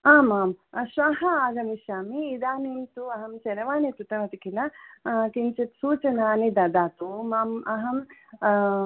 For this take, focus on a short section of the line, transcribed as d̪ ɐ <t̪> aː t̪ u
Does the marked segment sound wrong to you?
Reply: yes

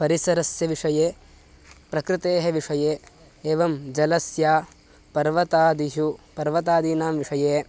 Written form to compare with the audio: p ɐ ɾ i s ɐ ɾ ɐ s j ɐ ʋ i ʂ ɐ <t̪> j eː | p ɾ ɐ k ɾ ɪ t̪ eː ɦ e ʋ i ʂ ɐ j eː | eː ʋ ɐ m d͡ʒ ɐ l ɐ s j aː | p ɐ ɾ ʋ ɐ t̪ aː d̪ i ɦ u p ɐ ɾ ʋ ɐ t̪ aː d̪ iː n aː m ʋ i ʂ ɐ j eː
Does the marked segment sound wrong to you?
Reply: yes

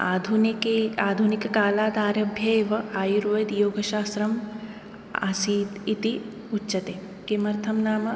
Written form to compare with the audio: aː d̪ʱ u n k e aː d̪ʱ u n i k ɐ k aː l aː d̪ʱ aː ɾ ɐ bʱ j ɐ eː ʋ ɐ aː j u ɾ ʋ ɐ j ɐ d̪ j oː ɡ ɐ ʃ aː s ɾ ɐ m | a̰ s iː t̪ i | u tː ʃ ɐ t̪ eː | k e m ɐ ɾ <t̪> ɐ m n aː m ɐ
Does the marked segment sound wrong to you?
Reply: yes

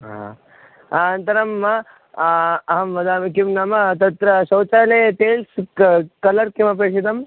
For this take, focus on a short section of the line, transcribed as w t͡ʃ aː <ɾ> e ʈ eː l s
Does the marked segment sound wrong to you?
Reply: yes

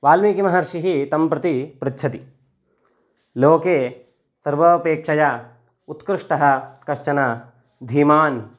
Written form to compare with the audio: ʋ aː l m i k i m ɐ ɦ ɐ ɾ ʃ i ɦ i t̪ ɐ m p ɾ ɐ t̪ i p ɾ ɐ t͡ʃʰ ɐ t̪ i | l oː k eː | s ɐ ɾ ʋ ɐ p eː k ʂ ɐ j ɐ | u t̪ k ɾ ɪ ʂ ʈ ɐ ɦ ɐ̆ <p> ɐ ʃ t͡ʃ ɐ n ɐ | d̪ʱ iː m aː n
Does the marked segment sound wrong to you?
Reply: yes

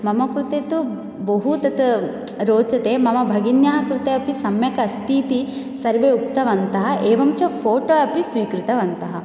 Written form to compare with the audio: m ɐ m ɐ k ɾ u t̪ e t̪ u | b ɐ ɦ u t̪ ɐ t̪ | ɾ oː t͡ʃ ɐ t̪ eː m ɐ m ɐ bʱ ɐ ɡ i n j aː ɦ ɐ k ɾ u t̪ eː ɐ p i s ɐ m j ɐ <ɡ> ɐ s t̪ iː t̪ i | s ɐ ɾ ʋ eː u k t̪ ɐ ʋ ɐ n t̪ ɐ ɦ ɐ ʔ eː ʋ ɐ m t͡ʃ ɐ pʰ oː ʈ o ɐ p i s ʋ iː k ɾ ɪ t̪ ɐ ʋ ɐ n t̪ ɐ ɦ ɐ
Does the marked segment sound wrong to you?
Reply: yes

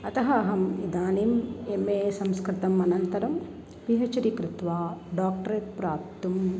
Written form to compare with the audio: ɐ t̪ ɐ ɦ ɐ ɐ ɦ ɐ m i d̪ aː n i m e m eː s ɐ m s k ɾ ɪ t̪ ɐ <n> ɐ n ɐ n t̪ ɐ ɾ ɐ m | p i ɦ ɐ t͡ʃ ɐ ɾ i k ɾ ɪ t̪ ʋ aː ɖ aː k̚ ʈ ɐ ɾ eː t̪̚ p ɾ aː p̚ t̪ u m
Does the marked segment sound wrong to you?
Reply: yes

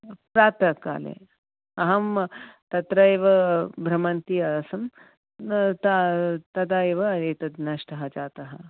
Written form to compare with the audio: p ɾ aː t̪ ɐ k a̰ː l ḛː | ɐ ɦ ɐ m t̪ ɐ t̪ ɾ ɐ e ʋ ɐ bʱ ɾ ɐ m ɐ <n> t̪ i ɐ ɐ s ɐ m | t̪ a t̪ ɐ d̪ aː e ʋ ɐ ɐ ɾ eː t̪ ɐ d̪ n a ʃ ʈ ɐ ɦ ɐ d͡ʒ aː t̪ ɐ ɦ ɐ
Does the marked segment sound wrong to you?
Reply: no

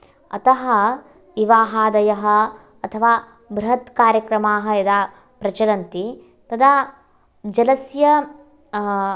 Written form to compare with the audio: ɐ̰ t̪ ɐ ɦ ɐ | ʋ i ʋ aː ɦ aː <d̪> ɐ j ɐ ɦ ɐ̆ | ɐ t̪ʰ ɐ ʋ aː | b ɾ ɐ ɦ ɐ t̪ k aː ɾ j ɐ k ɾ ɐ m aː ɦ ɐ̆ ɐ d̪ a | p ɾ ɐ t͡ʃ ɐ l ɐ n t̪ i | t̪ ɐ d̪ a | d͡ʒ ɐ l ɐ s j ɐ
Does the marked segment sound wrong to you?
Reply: no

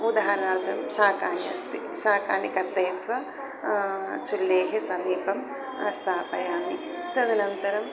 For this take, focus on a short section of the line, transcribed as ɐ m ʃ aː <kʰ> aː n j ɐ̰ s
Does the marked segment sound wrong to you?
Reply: yes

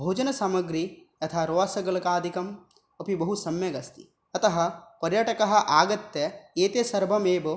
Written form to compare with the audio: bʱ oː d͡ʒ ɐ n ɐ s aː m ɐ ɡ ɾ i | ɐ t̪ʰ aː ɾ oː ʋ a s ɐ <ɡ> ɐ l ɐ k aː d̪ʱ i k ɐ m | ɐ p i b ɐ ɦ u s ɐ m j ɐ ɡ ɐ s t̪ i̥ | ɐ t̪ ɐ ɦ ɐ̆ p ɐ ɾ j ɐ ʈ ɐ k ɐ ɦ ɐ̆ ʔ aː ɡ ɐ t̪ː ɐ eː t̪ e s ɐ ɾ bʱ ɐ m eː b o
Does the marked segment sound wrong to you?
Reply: no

